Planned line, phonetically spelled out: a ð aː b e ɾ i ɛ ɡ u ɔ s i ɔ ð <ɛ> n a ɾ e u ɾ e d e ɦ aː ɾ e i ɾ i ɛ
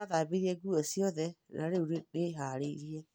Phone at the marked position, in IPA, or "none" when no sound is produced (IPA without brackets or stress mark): ɛ